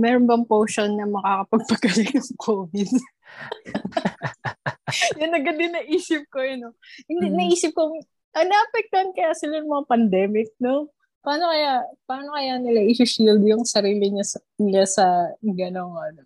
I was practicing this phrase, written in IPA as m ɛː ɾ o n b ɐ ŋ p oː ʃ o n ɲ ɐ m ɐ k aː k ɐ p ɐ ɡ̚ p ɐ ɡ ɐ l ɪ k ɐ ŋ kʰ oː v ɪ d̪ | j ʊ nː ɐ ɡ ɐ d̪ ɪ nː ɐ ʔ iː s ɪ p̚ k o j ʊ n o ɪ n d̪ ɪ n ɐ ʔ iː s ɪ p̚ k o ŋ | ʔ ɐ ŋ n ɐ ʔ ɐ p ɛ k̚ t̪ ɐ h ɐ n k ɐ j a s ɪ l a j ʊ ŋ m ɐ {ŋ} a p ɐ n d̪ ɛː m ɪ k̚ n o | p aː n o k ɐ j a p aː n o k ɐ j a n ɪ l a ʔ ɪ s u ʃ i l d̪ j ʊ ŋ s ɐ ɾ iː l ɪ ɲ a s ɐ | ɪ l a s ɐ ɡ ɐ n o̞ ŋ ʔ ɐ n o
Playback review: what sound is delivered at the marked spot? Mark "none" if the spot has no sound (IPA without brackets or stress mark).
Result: ŋ